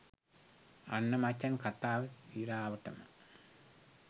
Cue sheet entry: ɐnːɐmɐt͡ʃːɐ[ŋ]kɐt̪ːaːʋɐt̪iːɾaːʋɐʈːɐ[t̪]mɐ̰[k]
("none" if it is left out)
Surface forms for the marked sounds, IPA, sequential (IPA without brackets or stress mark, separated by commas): n, none, none